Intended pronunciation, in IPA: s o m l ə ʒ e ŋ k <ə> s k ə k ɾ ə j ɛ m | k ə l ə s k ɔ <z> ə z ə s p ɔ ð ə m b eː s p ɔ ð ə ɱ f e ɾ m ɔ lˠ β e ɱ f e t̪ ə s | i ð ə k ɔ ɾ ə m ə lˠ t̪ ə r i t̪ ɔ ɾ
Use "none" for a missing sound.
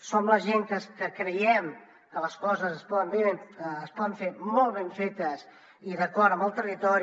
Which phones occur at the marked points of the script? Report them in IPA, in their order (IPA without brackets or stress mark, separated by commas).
ə, z